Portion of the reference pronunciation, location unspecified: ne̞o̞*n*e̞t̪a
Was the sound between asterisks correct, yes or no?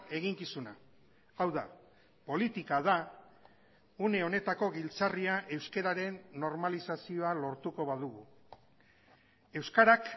yes